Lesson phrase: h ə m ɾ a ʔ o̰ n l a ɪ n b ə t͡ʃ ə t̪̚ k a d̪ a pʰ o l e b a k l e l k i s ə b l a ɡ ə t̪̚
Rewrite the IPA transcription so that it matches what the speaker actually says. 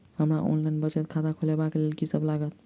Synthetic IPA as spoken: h ə m ɾ a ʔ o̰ n l a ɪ n b ə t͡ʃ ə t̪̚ kʰ a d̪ a kʰ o l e b a k l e l k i s ə b l a ɡ ə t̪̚